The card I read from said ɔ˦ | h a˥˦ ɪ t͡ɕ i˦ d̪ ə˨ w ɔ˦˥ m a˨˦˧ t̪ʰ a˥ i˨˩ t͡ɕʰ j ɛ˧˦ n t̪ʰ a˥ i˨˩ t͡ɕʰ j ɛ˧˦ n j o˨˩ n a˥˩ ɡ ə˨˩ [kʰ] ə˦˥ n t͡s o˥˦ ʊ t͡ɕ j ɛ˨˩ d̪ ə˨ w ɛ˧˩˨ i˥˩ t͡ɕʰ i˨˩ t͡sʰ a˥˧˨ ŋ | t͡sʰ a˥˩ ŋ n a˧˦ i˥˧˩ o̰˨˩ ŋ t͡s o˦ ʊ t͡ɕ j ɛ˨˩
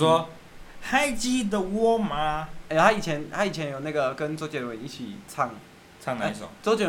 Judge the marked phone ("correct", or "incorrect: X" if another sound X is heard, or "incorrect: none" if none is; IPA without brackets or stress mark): incorrect: k